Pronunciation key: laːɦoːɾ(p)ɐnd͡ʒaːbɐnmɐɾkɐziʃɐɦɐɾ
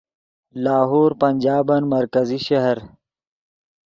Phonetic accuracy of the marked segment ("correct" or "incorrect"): correct